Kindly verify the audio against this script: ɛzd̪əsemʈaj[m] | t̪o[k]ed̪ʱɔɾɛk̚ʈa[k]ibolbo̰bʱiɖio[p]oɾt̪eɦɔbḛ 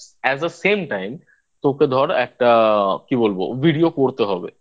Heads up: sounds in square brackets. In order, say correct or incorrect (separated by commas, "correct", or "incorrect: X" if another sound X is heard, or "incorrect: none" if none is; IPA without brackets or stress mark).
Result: correct, correct, correct, incorrect: k